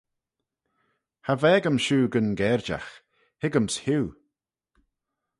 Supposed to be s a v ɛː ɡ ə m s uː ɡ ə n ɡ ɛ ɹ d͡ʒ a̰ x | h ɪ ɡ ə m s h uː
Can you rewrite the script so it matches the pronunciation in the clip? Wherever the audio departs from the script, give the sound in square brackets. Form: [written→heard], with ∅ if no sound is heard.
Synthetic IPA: [s→h] a v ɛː ɡ ə m [s→ʃ] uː ɡ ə n ɡ ɛ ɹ d͡ʒ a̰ x | h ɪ ɡ ə m s h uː